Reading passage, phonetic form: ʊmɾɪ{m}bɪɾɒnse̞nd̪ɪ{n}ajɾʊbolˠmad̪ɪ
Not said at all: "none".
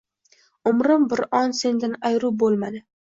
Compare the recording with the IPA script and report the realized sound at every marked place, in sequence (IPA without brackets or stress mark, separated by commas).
m, n